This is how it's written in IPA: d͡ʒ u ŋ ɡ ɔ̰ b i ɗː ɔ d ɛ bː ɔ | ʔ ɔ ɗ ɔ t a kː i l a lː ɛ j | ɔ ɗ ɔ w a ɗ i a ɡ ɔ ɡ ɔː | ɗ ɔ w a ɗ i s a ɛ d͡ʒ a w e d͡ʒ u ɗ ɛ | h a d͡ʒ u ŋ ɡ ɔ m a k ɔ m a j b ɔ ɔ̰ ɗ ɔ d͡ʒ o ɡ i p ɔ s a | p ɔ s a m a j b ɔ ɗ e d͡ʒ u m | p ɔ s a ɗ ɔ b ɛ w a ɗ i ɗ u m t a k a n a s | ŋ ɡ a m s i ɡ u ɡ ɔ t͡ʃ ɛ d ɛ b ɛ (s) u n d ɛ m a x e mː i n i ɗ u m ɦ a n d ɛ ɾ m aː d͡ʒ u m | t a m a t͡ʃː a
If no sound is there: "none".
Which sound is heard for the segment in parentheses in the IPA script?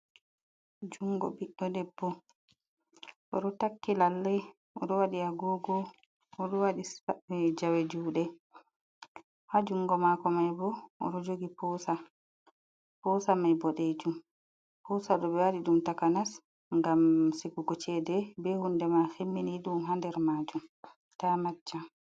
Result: h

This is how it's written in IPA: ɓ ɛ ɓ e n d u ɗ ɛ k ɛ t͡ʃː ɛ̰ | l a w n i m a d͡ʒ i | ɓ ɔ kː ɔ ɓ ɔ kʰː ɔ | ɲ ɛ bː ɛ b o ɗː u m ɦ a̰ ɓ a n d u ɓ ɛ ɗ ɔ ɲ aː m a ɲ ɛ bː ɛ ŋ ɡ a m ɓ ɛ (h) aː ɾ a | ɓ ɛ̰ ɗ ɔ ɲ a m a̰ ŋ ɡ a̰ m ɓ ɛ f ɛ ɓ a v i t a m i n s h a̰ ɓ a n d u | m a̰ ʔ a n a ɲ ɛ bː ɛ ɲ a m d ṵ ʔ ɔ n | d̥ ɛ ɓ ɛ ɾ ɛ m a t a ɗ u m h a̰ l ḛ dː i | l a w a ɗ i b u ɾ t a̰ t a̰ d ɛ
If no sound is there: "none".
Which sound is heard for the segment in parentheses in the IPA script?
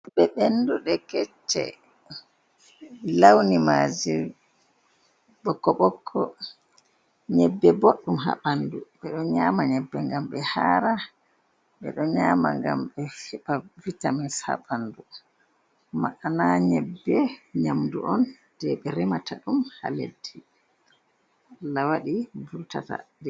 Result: h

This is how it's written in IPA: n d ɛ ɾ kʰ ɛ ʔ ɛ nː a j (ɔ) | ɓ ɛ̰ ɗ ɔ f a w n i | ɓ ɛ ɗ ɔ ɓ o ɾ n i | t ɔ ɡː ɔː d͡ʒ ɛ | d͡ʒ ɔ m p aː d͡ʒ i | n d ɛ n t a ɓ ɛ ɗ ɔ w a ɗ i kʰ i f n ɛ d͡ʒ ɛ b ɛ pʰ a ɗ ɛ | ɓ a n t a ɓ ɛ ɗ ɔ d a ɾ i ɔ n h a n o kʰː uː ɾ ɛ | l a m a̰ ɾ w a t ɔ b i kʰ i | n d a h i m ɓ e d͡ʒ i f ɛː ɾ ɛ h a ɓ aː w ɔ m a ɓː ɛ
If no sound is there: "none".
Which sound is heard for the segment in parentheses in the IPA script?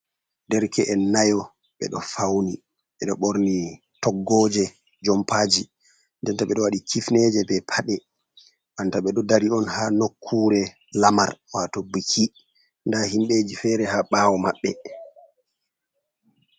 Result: ɔ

